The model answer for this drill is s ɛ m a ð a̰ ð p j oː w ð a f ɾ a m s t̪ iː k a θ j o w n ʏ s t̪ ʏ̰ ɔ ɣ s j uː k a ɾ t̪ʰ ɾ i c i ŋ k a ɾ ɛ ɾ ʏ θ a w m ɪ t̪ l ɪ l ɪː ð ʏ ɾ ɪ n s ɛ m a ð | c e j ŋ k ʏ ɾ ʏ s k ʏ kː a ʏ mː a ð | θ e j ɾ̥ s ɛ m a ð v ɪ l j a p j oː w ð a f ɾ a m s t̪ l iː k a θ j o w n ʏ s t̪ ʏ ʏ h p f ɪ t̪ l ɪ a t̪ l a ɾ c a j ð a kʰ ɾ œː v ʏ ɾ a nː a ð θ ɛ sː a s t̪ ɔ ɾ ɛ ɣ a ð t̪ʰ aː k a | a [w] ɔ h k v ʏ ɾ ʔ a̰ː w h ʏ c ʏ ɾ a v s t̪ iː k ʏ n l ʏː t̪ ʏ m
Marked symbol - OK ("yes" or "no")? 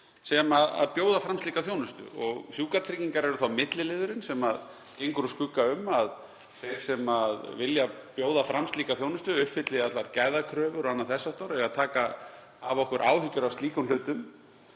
no